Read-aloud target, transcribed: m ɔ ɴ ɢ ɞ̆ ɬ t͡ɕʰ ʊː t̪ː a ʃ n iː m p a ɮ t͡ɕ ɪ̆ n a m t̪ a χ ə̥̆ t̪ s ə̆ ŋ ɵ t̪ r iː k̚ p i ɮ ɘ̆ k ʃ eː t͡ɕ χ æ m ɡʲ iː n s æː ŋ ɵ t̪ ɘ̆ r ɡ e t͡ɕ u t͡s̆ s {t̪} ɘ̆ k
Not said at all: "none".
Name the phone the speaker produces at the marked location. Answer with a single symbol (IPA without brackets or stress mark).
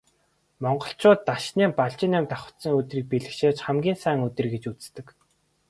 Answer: t̪